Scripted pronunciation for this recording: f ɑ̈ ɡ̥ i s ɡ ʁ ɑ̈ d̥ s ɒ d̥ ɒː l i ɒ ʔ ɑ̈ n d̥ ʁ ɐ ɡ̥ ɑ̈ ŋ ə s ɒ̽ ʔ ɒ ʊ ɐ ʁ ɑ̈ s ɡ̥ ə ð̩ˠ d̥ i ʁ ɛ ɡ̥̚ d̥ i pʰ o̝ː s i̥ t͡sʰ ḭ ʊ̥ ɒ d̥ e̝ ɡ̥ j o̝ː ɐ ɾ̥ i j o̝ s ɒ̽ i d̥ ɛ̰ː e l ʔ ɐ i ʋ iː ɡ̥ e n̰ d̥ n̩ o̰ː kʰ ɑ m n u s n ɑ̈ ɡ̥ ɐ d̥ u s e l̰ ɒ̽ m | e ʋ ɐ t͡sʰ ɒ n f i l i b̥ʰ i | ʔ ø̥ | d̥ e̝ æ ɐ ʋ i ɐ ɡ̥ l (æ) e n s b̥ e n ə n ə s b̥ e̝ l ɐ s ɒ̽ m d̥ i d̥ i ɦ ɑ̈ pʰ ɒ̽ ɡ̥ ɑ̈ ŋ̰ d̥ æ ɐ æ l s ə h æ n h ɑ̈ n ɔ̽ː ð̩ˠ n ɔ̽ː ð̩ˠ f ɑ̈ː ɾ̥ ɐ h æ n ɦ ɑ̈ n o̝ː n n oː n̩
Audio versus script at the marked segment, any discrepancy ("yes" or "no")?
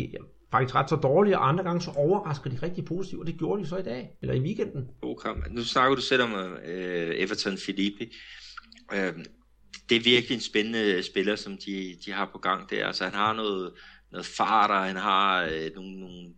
yes